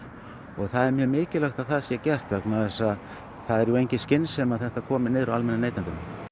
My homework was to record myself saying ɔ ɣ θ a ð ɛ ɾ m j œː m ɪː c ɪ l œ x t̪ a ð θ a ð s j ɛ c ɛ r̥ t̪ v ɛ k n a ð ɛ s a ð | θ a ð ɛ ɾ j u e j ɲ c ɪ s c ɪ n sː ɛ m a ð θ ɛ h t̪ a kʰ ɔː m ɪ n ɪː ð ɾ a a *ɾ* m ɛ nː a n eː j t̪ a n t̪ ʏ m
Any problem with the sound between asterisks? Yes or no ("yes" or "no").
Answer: yes